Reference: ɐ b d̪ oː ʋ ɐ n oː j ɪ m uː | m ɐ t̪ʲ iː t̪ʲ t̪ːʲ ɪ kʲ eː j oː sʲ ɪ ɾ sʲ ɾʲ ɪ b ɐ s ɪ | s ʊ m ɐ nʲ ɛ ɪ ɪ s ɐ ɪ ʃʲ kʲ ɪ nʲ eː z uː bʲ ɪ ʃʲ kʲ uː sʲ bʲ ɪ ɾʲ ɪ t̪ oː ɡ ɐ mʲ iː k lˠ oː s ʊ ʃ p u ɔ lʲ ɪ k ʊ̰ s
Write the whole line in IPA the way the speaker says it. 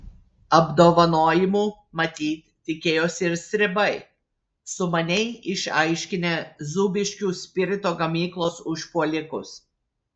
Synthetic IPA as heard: ɐ b d̪ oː ʋ ɐ n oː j ɪ m uː | m ɐ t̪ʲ iː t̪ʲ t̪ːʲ ɪ kʲ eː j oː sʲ ɪ ɾ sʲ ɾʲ ɪ b ɐ ɪ | s ʊ m ɐ nʲ ɛ ɪ ɪ ʃ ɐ ɪ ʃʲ kʲ ɪ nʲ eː z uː bʲ ɪ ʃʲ kʲ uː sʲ pʲ ɪ ɾʲ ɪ t̪ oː ɡ ɐ mʲ iː k lˠ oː s ʊ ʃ p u ɔ lʲ ɪ k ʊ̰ s